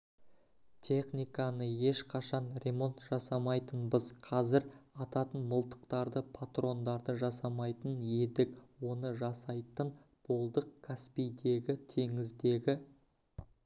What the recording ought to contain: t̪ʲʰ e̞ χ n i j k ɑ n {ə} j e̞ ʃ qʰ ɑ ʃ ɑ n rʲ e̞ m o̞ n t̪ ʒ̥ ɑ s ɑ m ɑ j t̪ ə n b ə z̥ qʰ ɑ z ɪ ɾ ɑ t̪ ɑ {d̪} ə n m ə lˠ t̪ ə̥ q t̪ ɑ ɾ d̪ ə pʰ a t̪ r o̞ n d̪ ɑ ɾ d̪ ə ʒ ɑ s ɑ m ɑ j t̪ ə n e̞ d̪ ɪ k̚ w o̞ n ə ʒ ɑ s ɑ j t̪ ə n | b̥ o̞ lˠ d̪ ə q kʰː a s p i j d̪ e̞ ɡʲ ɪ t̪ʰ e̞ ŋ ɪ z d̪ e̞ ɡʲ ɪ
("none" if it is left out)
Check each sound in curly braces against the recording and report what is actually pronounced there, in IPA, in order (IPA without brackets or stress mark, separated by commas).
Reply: ə, t̪